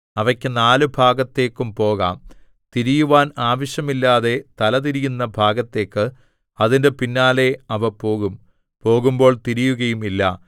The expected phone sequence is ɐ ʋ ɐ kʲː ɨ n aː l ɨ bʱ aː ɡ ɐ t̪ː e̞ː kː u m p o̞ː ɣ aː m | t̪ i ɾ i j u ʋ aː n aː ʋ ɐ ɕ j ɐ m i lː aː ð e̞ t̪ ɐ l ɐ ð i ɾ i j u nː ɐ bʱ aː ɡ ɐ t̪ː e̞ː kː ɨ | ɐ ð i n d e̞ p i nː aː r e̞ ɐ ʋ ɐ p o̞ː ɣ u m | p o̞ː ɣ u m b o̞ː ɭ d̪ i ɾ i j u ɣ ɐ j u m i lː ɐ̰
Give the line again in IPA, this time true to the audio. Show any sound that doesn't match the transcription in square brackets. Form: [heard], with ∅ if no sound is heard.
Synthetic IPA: ɐ ʋ ɐ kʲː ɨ n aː l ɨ bʱ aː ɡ ɐ t̪ː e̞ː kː u m p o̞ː ɣ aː m | t̪ i ɾ i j u ʋ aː n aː ʋ ɐ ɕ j ɐ m i lː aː ð e̞ t̪ ɐ l ɐ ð i ɾ i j u nː ɐ bʱ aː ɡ ɐ t̪ː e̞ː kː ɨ | ɐ ð i n d e̞ p i nː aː [l] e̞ ɐ ʋ ɐ p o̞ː ɣ u m | p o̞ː ɣ u m b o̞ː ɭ [t̪] i ɾ i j u ɣ ɐ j u m i lː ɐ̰

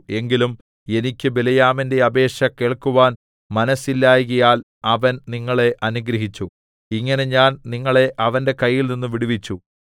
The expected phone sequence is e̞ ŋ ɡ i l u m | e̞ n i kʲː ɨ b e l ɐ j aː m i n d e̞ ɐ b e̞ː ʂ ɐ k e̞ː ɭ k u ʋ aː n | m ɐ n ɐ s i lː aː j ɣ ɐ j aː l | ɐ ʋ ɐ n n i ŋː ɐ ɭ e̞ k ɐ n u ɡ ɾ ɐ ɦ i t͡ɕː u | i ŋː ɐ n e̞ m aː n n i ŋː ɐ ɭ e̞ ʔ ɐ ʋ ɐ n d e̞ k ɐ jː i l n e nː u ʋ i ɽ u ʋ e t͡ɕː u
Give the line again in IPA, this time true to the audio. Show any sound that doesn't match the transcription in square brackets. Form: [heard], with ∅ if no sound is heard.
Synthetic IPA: e̞ ŋ ɡ i l u m | e̞ n i kʲː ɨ b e l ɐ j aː m i n d e̞ ɐ b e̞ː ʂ ɐ k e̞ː ɭ k u ʋ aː n | m ɐ n ɐ s i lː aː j ɣ ɐ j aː l | ɐ ʋ ɐ n n i ŋː ɐ ɭ e̞ [ʔ] ɐ n u ɡ ɾ ɐ ɦ i t͡ɕː u | i ŋː ɐ n e̞ [ɲ] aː n n i ŋː ɐ ɭ e̞ ʔ ɐ ʋ ɐ n d e̞ k ɐ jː i l n [i] nː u ʋ i ɽ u ʋ [i] t͡ɕː u

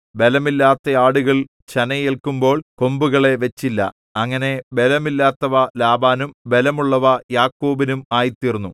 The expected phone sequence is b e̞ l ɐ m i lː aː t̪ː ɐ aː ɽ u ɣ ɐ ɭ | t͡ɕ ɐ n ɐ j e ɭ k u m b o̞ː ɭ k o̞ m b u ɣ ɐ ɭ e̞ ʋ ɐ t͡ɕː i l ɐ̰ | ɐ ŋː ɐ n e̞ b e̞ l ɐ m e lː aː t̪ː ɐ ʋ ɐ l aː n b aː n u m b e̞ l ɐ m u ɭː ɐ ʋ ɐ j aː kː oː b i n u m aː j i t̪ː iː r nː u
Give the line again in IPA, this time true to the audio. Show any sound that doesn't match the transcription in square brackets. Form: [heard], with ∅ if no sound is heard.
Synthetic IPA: b e̞ l ɐ m i lː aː t̪ː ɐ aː ɽ u ɣ ɐ ɭ | t͡ɕ ɐ n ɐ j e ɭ k u m b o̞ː ɭ k o̞ m b u ɣ ɐ ɭ e̞ ʋ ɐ t͡ɕː i [lː] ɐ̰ | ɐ ŋː ɐ n e̞ b e̞ l ɐ m [i] lː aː t̪ː ɐ ʋ ɐ l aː [∅] b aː n u m b e̞ l ɐ m u ɭː ɐ ʋ ɐ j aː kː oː b i n u m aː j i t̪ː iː r nː u

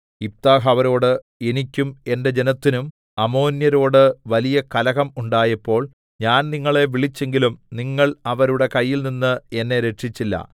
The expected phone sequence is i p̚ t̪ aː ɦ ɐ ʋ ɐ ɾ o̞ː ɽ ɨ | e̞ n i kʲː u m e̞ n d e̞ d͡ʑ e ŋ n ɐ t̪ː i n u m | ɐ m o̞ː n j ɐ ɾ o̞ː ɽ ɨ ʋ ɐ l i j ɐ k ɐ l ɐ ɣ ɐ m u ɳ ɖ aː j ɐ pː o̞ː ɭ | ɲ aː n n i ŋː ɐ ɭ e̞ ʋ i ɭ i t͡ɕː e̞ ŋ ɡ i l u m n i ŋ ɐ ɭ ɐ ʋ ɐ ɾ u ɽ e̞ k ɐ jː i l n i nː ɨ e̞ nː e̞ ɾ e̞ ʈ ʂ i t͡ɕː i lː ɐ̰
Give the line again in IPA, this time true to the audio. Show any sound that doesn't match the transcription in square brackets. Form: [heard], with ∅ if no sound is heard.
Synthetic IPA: i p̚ t̪ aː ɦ ɐ ʋ ɐ ɾ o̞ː ɽ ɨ | e̞ n i kʲː u m e̞ n d e̞ d͡ʑ e [∅] n ɐ t̪ː i n u m | ɐ m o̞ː n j ɐ ɾ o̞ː ɽ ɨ ʋ ɐ l i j ɐ k ɐ l ɐ ɣ ɐ m u ɳ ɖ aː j ɐ pː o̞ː ɭ | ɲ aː n n i ŋː ɐ ɭ e̞ ʋ i ɭ i t͡ɕː e̞ ŋ ɡ i l u m n i [ŋː] ɐ ɭ ɐ ʋ ɐ ɾ u ɽ e̞ k ɐ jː i l n i nː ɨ e̞ nː e̞ ɾ e̞ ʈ ʂ i t͡ɕː i lː ɐ̰

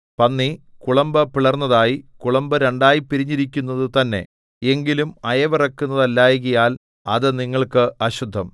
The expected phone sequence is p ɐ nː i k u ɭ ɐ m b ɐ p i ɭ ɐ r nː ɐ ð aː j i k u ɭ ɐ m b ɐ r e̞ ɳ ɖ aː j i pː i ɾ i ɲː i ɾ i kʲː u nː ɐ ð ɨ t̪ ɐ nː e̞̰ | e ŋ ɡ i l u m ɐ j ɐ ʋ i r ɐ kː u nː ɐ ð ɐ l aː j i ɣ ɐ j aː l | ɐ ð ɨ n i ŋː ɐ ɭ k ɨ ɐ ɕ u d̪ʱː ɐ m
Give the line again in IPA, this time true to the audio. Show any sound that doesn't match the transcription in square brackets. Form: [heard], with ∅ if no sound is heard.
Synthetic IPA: p ɐ nː i k u ɭ ɐ m b ɐ p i ɭ ɐ r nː ɐ ð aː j i k u ɭ ɐ m b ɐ [ɾ] e̞ ɳ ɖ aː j i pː i ɾ i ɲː i ɾ i kʲː u nː ɐ ð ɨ t̪ ɐ nː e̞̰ | e ŋ ɡ i l u m ɐ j ɐ ʋ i r ɐ kː u nː ɐ ð ɐ [lː] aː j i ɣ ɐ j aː l | ɐ ð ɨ n i ŋː ɐ ɭ k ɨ ɐ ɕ u d̪ʱː ɐ m

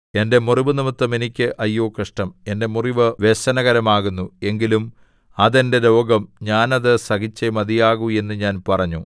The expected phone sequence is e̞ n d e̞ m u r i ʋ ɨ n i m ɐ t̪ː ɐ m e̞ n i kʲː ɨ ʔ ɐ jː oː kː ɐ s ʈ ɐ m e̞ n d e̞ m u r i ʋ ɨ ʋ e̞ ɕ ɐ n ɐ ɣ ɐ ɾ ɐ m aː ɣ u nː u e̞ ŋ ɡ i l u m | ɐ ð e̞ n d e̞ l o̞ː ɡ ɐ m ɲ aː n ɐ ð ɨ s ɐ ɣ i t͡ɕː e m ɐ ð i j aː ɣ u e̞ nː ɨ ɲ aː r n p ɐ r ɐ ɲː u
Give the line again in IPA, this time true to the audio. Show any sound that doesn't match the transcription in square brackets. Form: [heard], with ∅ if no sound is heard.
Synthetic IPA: e̞ n d e̞ m u r i ʋ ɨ n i m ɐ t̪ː ɐ m e̞ n i kʲː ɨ ʔ ɐ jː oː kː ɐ [ʂ] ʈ ɐ m e̞ n d e̞ m u r i ʋ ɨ ʋ e̞ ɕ ɐ n ɐ ɣ ɐ ɾ ɐ m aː ɣ u nː u e̞ ŋ ɡ i l u m | ɐ ð e̞ n d e̞ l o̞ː ɡ ɐ m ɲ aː n ɐ ð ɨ s ɐ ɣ i t͡ɕː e m ɐ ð i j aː ɣ u e̞ nː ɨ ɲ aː [∅] n p ɐ r ɐ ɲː u

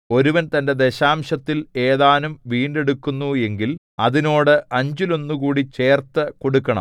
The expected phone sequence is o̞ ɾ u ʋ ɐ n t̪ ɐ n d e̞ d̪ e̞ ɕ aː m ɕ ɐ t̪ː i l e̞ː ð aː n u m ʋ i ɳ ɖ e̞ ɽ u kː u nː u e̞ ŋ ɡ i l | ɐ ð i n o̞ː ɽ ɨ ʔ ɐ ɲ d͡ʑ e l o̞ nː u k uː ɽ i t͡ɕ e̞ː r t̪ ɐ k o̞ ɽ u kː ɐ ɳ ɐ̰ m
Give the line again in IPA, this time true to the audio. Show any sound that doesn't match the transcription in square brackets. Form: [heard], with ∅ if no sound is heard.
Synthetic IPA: o̞ ɾ u ʋ ɐ n t̪ ɐ n d e̞ d̪ e̞ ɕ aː m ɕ ɐ t̪ː i l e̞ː ð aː n u m ʋ [iː] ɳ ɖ e̞ ɽ u kː u nː u e̞ ŋ ɡ i l | ɐ ð i n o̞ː ɽ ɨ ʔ ɐ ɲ d͡ʑ [i] l o̞ nː u k uː ɽ i t͡ɕ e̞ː r t̪ ɐ k o̞ ɽ u kː ɐ ɳ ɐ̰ m

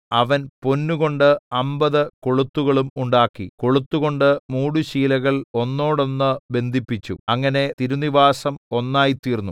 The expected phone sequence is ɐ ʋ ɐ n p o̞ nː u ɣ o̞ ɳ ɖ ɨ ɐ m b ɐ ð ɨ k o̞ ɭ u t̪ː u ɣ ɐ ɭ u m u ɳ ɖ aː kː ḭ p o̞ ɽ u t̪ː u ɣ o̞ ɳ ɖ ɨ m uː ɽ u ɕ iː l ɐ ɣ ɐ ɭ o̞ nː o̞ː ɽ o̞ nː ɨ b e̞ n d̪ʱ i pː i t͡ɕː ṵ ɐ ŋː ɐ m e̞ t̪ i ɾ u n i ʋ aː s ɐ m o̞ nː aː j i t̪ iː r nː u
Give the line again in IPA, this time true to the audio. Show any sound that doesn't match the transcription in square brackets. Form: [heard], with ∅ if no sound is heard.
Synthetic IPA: ɐ ʋ ɐ n p o̞ nː u ɣ o̞ ɳ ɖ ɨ ɐ m b ɐ ð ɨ k o̞ ɭ u t̪ː u ɣ ɐ ɭ u m u ɳ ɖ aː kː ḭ [k] o̞ [ɭ] u t̪ː u ɣ o̞ ɳ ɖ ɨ m uː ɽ u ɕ iː l ɐ ɣ ɐ ɭ o̞ nː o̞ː ɽ o̞ nː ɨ b e̞ n d̪ʱ i pː i t͡ɕː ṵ ɐ ŋː ɐ [n] e̞ t̪ i ɾ u n i ʋ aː s ɐ m o̞ nː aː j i t̪ iː r nː u

